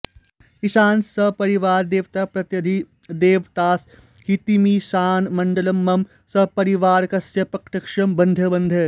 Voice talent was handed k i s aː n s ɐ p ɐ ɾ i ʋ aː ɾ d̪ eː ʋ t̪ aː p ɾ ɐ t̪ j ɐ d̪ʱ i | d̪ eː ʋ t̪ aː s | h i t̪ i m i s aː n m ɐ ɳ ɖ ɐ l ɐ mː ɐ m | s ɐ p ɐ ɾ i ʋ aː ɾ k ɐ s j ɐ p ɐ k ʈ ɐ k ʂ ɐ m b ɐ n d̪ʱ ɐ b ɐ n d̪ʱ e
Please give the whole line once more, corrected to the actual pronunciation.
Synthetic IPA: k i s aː n s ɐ p ɐ ɾ i ʋ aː ɾ d̪ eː ʋ t̪ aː p ɾ ɐ t̪ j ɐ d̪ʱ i | d̪ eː ʋ t̪ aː s | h i t̪ i m i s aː n m ɐ ɳ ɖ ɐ l ɐ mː ɐ m | s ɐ p ɐ ɾ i ʋ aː ɾ k ɐ s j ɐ p ɐ k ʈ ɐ k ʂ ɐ m b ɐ n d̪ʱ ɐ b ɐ n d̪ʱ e